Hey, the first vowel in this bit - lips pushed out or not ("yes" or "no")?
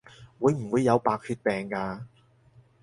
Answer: yes